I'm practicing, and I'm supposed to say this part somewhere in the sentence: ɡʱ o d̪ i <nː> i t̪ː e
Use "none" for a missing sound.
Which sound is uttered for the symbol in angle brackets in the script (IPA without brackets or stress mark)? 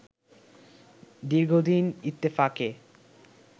n